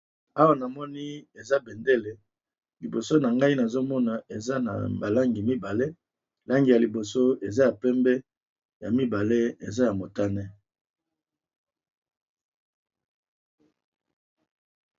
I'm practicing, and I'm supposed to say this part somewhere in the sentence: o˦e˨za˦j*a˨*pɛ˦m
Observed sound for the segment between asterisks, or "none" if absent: a˨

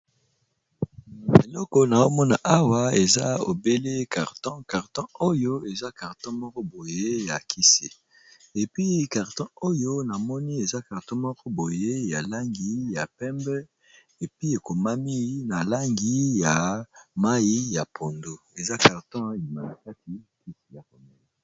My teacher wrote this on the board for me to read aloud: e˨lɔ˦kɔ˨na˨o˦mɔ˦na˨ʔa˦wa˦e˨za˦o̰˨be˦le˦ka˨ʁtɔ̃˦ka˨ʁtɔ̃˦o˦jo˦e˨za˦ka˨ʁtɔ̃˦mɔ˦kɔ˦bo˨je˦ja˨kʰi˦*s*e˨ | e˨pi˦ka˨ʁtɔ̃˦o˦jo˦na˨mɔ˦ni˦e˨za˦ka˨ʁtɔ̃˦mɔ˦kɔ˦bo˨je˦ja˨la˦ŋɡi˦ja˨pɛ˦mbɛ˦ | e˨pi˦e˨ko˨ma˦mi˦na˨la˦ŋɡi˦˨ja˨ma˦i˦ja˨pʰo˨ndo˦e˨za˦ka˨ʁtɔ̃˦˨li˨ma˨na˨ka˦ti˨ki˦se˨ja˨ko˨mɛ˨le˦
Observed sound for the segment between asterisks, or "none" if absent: s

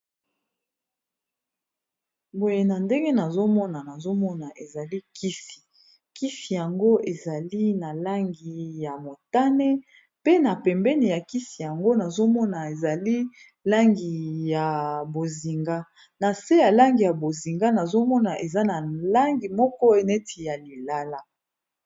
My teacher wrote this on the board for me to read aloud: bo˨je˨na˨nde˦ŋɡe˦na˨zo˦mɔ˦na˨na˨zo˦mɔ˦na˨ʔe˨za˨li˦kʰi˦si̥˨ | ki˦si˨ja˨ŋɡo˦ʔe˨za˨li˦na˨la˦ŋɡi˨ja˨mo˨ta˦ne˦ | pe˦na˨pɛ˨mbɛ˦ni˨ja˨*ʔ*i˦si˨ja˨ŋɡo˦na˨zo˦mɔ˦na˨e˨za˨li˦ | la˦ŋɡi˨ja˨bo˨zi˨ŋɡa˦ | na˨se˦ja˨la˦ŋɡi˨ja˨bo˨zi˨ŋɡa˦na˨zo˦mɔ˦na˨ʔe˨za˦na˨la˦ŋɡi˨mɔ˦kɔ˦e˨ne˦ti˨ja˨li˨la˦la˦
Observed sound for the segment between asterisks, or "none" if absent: k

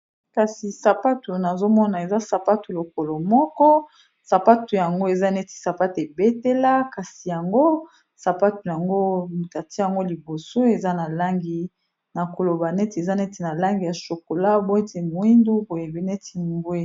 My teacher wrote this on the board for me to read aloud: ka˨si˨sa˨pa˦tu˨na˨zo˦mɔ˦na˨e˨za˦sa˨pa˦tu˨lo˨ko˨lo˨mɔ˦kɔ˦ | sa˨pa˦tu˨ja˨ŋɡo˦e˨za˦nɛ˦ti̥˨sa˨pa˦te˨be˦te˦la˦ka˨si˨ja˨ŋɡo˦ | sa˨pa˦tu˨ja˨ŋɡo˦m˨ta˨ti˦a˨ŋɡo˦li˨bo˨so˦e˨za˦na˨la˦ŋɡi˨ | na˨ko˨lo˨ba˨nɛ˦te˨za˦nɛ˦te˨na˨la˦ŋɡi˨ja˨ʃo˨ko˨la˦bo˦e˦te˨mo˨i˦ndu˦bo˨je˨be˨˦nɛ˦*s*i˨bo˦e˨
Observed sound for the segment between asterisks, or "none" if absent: t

